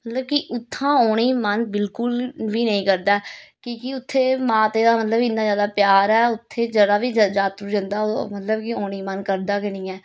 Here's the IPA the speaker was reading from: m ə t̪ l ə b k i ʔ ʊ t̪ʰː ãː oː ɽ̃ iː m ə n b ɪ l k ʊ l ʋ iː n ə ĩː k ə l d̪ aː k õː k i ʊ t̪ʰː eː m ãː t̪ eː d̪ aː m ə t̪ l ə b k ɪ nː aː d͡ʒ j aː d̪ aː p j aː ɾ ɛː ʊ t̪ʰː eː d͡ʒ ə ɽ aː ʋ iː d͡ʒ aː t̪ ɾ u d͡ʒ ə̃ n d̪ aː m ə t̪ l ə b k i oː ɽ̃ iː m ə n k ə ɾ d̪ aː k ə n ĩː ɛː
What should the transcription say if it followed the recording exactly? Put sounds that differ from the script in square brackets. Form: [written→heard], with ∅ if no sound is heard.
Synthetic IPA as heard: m ə t̪ l ə b k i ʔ ʊ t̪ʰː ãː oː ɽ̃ iː m ə n b ɪ l k ʊ l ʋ iː n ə ĩː k ə [l→ɾ] d̪ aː k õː k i ʊ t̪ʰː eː m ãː t̪ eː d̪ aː m ə t̪ l ə b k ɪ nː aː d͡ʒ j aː d̪ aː p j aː ɾ ɛː ʊ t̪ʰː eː d͡ʒ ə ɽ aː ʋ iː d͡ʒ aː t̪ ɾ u d͡ʒ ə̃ n d̪ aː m ə t̪ l ə b k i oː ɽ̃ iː m ə n k ə ɾ d̪ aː k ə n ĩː ɛː

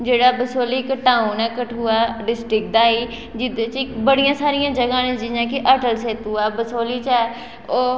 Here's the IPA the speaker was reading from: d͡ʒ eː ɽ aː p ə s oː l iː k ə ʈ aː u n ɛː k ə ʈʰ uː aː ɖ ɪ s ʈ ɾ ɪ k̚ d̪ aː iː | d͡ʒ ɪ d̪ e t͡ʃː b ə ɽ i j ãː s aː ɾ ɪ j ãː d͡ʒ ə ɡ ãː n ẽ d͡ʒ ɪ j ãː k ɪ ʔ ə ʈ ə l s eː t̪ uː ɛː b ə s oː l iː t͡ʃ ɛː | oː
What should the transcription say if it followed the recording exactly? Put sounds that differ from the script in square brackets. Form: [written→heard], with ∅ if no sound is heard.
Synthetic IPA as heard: d͡ʒ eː ɽ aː [p→b] ə s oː l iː k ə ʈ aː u n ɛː k ə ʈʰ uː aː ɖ ɪ s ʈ ɾ ɪ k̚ d̪ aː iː | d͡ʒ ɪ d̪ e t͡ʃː b ə ɽ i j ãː s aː ɾ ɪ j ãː d͡ʒ ə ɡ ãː n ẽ d͡ʒ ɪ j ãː k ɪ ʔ ə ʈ ə l s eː t̪ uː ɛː b ə s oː l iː t͡ʃ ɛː | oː

